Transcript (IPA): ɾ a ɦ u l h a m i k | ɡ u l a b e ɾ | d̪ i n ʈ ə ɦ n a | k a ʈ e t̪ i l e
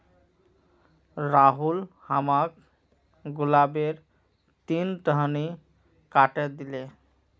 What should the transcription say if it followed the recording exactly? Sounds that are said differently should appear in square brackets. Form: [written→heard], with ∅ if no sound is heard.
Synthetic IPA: ɾ a ɦ u l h a m [i→a] k | ɡ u l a b e ɾ | [d̪→t̪] i n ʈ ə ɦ n [a→i] | k a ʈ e [t̪→d̪] i l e